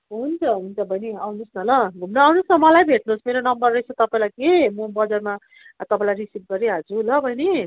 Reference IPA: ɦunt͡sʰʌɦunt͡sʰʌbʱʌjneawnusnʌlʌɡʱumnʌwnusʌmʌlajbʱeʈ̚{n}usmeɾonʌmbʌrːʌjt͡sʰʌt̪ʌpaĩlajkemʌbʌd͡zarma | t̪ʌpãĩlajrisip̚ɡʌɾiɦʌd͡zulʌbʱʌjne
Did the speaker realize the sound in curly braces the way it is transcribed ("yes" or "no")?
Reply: yes